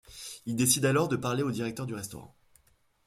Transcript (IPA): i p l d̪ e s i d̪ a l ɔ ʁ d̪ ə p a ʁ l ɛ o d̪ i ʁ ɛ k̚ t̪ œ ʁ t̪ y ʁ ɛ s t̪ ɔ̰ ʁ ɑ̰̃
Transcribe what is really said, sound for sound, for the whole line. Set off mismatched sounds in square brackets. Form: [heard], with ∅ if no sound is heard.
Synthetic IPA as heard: i [∅] l d̪ e s i d̪ a l ɔ ʁ d̪ ə p a ʁ l [e] o d̪ i ʁ ɛ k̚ t̪ œ ʁ [d̪] y ʁ ɛ s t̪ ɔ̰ ʁ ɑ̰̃